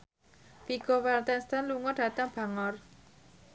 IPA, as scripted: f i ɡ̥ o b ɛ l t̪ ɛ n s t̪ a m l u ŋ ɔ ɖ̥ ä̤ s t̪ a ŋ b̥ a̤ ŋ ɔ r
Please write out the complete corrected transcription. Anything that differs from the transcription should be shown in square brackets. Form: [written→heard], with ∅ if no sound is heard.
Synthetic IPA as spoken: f i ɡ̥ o [b→w] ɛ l t̪ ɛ n s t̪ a [m→n] l u ŋ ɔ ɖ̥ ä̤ [s→∅] t̪ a ŋ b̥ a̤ ŋ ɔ r